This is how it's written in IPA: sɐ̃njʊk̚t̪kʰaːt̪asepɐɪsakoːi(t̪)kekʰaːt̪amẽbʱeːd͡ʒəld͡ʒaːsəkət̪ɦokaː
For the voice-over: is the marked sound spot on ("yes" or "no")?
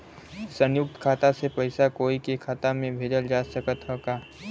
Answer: no